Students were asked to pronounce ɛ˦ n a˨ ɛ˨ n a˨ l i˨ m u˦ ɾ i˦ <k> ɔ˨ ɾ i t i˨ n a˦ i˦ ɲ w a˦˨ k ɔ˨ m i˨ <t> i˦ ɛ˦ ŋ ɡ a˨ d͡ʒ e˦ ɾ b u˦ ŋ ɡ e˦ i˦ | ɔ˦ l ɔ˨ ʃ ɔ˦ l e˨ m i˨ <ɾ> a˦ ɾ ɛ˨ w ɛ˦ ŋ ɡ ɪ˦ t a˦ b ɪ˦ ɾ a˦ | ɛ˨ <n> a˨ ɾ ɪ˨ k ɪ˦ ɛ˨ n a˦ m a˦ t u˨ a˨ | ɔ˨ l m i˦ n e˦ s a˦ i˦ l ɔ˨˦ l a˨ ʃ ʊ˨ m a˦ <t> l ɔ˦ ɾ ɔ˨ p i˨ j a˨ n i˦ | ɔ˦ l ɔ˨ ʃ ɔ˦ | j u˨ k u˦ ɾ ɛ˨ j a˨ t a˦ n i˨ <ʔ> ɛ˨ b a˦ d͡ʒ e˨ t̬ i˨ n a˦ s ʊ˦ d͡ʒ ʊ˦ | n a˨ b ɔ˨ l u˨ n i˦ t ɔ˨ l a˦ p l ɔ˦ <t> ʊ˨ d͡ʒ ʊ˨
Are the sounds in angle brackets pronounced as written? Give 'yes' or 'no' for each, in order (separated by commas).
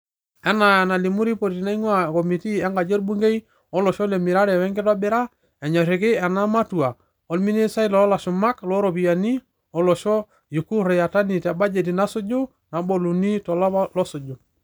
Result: no, yes, yes, no, no, no, no